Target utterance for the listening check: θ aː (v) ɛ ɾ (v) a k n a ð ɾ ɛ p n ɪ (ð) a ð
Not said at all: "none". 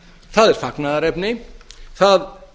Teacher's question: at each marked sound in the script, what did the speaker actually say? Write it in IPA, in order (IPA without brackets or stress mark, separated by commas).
ð, f, θ